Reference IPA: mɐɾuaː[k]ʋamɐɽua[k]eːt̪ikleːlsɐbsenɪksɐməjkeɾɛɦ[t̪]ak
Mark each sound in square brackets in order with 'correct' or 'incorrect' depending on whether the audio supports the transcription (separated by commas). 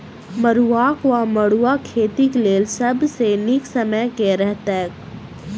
correct, incorrect, correct